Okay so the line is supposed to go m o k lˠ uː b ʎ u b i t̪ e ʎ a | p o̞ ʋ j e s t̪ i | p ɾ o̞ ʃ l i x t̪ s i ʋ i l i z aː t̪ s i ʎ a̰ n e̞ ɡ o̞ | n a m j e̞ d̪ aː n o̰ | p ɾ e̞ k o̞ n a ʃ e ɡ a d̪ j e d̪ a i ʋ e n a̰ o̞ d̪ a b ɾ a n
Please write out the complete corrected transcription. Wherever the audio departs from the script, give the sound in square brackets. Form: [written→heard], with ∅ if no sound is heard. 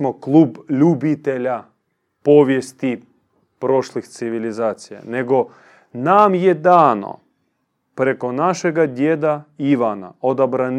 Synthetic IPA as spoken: m o k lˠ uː b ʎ u b i t̪ e ʎ a | p o̞ ʋ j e s t̪ i | p ɾ o̞ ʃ l i x t̪ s i ʋ i l i z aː t̪ s i [ʎ→j] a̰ n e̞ ɡ o̞ | n a m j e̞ d̪ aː n o̰ | p ɾ e̞ k o̞ n a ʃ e ɡ a d̪ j e d̪ a i ʋ [e→a] n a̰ o̞ d̪ a b ɾ a n